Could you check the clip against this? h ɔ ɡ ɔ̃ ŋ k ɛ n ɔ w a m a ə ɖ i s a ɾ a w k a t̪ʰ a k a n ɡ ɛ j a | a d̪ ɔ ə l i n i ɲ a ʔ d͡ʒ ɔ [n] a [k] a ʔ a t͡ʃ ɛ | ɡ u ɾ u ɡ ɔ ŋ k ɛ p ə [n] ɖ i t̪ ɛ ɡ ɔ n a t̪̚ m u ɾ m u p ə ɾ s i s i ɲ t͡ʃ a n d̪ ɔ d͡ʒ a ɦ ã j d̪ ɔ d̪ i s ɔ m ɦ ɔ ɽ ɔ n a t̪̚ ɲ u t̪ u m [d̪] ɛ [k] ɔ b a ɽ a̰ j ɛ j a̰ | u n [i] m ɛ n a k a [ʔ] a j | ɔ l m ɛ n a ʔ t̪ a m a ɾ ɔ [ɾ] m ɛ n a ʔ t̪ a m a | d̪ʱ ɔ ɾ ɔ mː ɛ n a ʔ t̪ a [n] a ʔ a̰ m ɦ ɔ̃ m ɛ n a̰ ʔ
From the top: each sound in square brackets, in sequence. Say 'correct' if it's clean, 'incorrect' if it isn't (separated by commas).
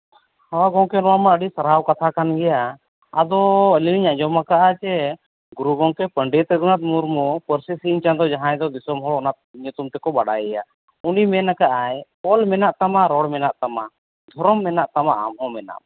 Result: incorrect, correct, incorrect, incorrect, correct, correct, correct, incorrect, incorrect